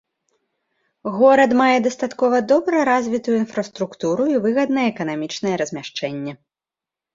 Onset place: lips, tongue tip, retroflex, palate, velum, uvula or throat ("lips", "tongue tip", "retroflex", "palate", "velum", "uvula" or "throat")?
velum